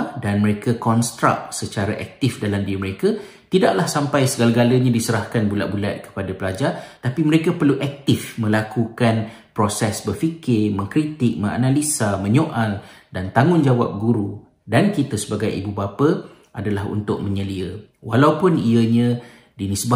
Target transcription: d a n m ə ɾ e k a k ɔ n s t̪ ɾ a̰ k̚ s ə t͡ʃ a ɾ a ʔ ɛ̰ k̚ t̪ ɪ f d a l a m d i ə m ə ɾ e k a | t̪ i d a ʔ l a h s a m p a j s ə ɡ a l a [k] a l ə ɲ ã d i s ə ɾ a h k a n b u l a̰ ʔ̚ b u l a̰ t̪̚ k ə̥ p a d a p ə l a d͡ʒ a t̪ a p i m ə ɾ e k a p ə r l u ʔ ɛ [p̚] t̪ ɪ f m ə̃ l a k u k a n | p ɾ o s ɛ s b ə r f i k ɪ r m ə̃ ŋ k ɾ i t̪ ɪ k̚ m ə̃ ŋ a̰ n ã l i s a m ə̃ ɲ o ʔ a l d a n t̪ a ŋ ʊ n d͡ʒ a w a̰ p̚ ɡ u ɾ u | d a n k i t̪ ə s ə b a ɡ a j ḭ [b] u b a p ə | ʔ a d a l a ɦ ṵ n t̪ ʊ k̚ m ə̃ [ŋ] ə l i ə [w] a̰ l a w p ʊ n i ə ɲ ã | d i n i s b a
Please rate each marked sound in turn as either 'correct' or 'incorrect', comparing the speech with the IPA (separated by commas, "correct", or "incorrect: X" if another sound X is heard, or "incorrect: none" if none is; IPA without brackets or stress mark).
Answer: incorrect: ɡ, incorrect: k̚, correct, incorrect: ɲ, correct